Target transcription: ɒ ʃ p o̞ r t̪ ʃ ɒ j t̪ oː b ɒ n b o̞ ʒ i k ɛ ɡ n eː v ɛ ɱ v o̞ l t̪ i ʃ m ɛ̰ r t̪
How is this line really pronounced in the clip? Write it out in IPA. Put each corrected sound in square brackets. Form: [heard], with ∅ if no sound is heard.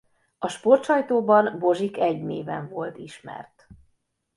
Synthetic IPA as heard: ɒ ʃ p o̞ r t̪ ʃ ɒ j t̪ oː b ɒ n b o̞ ʒ i k ɛ [ɟ] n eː v ɛ ɱ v o̞ l t̪ i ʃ m ɛ̰ r t̪